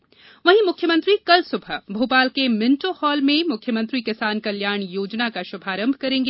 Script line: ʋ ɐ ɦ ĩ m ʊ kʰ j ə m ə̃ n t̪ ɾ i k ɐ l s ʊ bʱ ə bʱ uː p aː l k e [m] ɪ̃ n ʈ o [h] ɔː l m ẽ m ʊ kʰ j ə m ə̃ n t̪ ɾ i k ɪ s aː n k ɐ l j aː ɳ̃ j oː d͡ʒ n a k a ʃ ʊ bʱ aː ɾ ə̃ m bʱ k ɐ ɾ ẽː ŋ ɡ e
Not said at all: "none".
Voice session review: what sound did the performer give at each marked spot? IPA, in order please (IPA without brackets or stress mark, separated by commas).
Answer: m, h